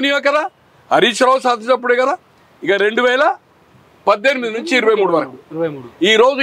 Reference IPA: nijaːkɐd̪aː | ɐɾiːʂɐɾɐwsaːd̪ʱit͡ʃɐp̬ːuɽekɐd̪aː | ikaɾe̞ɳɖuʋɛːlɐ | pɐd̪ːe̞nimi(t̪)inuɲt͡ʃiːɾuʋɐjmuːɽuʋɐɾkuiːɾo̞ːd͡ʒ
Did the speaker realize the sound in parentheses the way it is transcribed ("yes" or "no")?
no